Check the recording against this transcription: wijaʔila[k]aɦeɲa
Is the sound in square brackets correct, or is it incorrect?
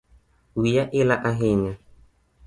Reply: incorrect: ʔ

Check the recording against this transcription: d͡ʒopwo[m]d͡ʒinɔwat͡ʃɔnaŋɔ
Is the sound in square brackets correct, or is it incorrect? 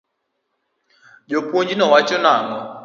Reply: incorrect: ɲ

